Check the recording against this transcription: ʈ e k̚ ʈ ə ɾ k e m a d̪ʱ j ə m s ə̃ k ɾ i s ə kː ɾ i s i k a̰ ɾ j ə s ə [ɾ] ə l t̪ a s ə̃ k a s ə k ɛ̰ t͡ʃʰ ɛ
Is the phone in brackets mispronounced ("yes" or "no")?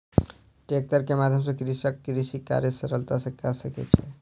no